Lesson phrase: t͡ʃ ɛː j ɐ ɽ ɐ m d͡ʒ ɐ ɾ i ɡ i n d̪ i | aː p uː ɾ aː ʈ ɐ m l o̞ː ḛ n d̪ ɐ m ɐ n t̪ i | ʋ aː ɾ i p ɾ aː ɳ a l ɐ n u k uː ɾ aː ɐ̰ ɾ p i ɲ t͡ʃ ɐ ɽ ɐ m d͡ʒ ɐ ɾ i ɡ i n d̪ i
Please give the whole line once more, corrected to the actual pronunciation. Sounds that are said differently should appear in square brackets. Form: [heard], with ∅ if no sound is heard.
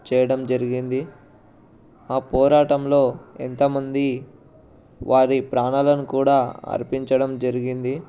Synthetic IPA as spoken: t͡ʃ ɛː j ɐ ɽ ɐ m d͡ʒ ɐ ɾ i ɡ i n d̪ i | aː p [ɔː] ɾ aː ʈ ɐ m l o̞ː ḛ n [t̪] ɐ m ɐ n [d̪] i | ʋ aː ɾ i p ɾ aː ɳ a l ɐ n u k uː [ɽ] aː ɐ̰ ɾ p i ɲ t͡ʃ ɐ ɽ ɐ m d͡ʒ ɐ ɾ i ɡ i n d̪ i

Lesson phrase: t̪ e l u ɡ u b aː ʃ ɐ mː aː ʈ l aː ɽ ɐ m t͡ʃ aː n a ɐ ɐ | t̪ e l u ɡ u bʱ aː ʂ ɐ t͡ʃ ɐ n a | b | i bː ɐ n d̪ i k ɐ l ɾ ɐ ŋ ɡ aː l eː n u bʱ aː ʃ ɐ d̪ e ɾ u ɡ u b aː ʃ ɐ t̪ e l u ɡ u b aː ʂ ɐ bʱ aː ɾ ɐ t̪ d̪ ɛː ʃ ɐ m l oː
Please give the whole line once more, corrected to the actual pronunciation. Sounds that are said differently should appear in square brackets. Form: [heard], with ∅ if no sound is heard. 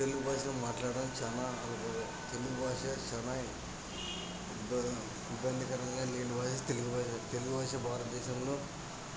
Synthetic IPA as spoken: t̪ e l u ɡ u b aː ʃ ɐ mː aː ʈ l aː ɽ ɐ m t͡ʃ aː n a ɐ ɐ | t̪ e l u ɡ u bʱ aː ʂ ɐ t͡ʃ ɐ n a | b | i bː ɐ n d̪ i k ɐ [∅] ɾ ɐ ŋ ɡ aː l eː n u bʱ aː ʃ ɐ [t̪] e [l] u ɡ u b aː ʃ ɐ t̪ e l u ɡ u b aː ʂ ɐ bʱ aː ɾ ɐ t̪ d̪ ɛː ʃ ɐ m l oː

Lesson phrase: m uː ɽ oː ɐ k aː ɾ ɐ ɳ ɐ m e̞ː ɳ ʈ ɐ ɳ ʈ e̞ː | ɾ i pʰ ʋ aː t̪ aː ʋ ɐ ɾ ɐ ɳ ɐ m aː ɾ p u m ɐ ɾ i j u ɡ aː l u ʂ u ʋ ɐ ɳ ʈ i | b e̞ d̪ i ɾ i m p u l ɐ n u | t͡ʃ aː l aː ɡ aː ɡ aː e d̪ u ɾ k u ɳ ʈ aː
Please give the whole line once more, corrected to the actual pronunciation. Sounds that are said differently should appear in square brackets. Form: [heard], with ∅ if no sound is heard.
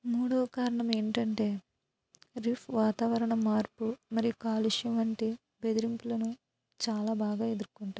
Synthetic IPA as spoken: m uː ɽ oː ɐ k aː ɾ ɐ ɳ ɐ m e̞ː ɳ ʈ ɐ ɳ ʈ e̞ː | ɾ i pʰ ʋ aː t̪ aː ʋ ɐ ɾ ɐ ɳ ɐ m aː ɾ p u m ɐ ɾ i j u [k] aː l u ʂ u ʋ ɐ ɳ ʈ i | b e̞ d̪ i ɾ i m p u l ɐ n u | t͡ʃ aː l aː [b] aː ɡ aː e d̪ u ɾ k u ɳ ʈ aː

